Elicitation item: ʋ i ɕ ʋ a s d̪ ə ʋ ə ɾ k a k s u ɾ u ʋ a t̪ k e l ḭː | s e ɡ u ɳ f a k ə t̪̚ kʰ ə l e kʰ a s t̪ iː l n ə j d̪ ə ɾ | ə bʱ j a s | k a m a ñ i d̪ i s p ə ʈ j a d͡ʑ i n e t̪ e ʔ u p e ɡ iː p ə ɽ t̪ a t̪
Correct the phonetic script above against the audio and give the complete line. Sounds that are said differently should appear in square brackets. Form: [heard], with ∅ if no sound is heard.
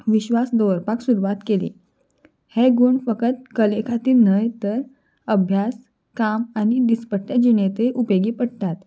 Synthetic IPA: ʋ i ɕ ʋ a s d̪ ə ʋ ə ɾ [p] a k s u ɾ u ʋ a t̪ k e l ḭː | [h] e ɡ u ɳ f [ə] k ə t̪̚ [k] ə l e kʰ a [∅] t̪ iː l n ə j [t̪] ə ɾ | ə bʱ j a s | k a m a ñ i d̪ i s p ə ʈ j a d͡ʑ i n e t̪ e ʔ u p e ɡ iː p ə ɽ t̪ a t̪